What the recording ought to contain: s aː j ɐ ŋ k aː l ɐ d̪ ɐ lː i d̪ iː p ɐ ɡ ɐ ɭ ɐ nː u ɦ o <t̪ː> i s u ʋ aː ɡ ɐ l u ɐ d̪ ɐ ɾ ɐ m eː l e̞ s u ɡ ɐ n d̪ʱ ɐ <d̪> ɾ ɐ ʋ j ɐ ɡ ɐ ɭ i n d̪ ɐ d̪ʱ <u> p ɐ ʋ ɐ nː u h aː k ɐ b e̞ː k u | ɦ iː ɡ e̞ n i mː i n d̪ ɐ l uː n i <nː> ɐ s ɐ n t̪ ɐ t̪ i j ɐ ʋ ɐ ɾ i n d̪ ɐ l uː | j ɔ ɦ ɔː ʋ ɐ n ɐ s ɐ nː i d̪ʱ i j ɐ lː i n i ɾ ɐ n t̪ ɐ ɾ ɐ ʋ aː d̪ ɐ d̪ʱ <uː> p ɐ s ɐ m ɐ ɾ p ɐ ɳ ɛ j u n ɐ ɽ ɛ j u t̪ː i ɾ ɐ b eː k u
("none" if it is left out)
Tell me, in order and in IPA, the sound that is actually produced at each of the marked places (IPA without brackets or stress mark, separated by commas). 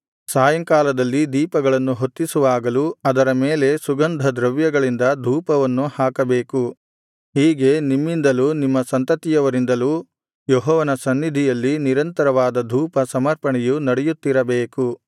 t̪ː, d̪, uː, mː, uː